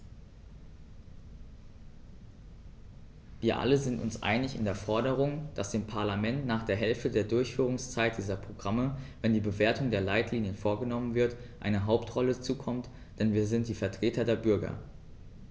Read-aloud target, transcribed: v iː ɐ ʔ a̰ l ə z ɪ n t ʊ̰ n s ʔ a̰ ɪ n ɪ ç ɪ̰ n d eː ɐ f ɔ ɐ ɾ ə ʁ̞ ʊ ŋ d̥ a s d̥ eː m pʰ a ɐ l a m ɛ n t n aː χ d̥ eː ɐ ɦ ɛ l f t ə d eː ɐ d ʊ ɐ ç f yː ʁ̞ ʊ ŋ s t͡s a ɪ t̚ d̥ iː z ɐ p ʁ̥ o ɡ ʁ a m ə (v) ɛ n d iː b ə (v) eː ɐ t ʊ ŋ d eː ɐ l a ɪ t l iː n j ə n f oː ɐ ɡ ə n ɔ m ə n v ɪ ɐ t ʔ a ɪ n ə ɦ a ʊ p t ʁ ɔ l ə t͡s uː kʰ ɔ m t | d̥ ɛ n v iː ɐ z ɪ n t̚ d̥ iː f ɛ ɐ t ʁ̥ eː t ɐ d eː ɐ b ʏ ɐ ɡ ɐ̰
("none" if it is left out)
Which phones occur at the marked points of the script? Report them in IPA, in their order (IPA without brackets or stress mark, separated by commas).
v, v